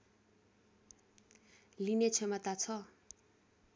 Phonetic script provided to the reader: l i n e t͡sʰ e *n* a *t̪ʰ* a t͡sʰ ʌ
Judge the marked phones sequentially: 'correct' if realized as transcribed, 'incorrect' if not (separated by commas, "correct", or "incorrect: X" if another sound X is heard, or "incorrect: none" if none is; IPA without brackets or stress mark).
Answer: incorrect: m, incorrect: t̪